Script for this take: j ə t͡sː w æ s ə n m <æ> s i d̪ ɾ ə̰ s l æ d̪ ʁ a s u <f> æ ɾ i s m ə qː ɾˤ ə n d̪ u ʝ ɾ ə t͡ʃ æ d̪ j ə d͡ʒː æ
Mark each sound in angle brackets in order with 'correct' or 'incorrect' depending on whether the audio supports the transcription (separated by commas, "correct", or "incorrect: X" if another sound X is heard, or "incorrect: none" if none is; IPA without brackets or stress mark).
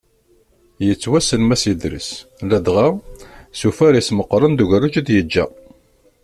correct, correct